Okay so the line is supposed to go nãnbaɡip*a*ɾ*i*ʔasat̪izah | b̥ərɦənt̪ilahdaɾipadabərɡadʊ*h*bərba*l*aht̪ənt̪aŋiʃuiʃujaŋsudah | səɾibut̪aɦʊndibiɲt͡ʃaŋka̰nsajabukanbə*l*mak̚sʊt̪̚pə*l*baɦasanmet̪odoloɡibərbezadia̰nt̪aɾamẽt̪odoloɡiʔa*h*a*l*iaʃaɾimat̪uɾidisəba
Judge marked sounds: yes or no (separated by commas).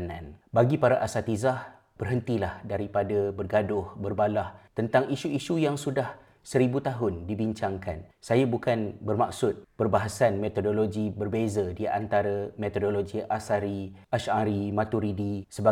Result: yes, no, yes, yes, no, no, no, no